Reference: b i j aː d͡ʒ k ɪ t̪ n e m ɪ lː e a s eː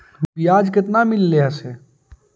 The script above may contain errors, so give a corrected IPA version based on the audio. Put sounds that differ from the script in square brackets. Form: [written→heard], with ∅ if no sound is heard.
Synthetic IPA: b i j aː d͡ʒ k ɪ t̪ n [e→a] m ɪ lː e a s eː